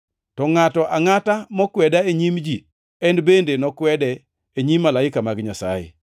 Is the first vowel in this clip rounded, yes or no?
yes